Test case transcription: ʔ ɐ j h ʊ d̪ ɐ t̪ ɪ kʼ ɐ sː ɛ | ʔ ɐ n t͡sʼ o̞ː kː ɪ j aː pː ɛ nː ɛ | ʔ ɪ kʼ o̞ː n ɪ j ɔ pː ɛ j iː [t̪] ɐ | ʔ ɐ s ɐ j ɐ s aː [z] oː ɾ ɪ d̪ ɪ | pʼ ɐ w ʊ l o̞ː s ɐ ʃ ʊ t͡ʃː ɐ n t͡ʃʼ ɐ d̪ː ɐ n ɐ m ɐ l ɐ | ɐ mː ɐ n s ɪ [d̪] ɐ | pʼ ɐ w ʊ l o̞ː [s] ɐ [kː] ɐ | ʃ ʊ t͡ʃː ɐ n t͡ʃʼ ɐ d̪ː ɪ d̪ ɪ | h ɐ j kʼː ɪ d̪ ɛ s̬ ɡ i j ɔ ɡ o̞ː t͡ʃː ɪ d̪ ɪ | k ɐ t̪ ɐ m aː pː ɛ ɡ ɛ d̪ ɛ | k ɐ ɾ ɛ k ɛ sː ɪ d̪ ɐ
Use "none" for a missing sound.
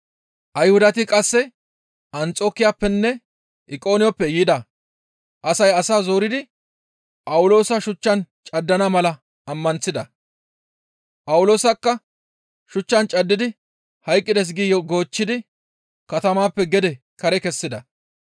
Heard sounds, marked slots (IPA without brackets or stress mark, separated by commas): d̪, z, d̪, s, kː